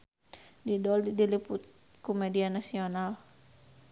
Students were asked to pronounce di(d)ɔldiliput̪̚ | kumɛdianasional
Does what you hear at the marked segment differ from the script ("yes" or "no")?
no